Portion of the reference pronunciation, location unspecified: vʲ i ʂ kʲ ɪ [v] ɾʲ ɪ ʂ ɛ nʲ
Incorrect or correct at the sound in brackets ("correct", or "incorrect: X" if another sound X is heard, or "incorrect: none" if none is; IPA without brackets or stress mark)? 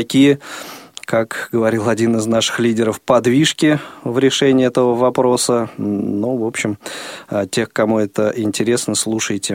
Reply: correct